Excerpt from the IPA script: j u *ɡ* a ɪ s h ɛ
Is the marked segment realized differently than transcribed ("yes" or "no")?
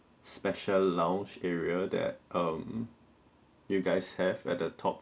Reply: no